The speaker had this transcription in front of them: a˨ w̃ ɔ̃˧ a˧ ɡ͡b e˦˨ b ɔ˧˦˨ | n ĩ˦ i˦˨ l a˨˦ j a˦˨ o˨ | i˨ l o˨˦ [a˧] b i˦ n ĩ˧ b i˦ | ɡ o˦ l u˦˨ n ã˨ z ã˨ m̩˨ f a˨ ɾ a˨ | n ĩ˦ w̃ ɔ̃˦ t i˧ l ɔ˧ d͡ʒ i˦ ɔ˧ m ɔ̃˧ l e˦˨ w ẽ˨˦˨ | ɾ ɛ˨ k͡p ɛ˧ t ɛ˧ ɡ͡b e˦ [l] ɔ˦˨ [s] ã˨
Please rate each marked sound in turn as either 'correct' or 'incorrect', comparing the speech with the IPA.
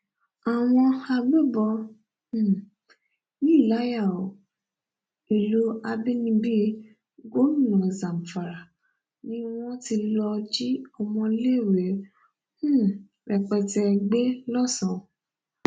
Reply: correct, correct, correct

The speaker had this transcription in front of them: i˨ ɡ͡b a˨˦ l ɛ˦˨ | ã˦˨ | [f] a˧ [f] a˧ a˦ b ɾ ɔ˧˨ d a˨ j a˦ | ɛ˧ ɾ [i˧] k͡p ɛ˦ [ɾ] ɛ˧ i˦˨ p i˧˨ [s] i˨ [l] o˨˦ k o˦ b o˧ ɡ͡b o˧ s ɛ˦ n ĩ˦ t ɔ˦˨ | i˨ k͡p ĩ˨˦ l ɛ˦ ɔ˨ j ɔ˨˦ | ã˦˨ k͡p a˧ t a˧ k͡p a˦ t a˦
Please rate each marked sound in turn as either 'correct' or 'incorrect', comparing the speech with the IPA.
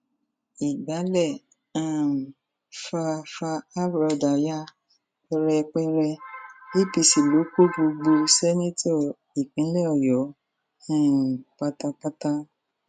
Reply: correct, correct, incorrect, correct, correct, correct

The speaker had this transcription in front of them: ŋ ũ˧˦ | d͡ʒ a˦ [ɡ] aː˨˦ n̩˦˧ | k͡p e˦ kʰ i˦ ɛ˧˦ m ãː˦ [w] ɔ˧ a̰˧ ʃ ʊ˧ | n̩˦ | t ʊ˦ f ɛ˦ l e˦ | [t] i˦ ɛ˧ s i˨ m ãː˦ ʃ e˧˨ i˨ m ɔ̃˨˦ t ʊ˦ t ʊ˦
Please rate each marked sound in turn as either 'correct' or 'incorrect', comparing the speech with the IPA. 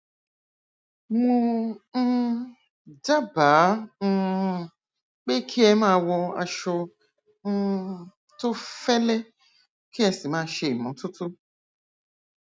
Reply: incorrect, correct, incorrect

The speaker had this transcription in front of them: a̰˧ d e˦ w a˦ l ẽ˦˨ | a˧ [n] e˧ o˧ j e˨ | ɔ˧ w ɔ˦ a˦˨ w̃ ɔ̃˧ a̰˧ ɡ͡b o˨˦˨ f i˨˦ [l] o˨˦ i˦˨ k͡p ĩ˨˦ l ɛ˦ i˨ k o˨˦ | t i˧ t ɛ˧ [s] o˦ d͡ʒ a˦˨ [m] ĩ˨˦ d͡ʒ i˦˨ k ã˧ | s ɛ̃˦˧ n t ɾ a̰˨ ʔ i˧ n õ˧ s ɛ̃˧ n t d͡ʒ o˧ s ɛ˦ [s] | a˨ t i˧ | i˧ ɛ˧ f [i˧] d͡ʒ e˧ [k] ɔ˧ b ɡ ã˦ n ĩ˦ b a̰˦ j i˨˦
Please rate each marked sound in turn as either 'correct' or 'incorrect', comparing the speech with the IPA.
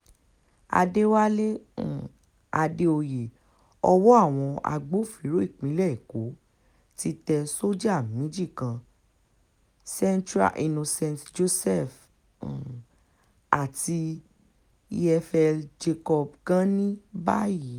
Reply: incorrect, incorrect, correct, correct, incorrect, incorrect, correct

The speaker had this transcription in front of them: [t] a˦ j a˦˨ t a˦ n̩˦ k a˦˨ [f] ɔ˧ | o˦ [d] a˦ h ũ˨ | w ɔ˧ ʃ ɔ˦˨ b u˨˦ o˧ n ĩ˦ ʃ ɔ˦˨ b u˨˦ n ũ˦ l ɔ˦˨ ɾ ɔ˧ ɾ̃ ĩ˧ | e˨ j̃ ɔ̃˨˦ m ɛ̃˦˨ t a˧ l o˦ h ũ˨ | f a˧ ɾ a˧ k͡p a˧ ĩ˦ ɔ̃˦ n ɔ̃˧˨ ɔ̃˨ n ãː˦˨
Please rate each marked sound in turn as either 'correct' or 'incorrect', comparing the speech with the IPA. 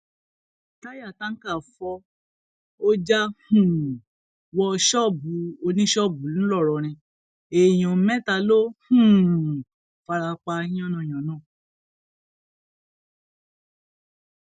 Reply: correct, correct, incorrect

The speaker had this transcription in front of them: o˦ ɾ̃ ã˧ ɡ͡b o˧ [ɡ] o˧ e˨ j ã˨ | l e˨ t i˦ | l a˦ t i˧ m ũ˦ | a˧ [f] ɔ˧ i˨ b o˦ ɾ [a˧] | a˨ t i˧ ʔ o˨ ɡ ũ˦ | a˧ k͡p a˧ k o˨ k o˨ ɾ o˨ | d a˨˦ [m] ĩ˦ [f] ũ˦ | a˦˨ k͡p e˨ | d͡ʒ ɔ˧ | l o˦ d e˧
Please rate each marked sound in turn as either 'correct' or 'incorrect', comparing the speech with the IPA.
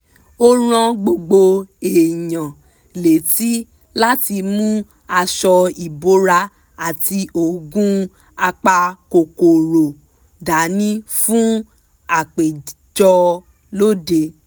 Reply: incorrect, incorrect, correct, incorrect, correct

